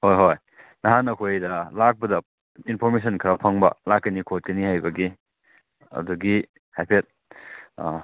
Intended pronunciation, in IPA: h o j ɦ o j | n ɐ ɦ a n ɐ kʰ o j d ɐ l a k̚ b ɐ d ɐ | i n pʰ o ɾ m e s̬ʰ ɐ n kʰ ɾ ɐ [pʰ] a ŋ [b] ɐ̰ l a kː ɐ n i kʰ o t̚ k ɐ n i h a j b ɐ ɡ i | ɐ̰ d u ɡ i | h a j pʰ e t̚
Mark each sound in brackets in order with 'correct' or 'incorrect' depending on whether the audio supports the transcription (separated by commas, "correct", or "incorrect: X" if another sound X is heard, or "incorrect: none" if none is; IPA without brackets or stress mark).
correct, correct